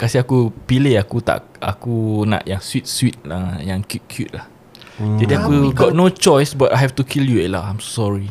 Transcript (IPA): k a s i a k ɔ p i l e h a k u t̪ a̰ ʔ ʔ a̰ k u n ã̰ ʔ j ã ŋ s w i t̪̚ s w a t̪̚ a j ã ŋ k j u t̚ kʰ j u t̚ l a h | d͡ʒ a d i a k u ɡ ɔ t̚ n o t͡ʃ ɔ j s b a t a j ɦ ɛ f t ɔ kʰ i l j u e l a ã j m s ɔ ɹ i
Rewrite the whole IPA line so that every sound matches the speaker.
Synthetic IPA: k a s i a k u p i l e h a k u t̪ a̰ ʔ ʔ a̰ k u n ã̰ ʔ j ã ŋ s w i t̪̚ s w i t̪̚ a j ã ŋ k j u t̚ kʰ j u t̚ l a h | d͡ʒ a d i a k u ɡ ɔ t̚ n o t͡ʃ ɔ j s b a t a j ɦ ɛ f t u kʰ i l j u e l a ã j m s ɔ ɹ i